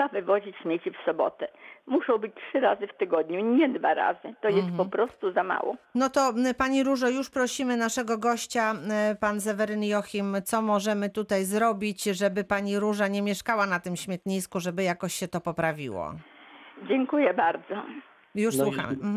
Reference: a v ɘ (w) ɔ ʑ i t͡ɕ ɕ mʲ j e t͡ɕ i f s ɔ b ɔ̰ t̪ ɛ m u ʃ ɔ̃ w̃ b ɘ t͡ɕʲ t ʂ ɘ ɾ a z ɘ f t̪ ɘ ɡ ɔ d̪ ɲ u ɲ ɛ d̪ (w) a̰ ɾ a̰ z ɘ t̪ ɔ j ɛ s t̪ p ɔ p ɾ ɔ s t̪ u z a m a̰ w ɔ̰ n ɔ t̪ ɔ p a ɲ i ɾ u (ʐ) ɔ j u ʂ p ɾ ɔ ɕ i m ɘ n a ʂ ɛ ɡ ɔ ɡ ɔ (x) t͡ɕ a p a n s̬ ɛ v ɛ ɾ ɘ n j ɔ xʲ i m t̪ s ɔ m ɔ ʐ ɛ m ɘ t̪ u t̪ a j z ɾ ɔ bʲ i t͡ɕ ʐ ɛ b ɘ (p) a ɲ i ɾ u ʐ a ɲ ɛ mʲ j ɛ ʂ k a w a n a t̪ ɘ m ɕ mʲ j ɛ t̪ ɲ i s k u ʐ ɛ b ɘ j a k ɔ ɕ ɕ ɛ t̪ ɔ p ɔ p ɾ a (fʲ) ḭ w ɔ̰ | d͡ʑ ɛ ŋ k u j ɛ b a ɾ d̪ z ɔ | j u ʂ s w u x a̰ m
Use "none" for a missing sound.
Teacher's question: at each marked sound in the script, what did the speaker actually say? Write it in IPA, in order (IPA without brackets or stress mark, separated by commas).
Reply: v, v, ʐ, ɕ, p, vʲ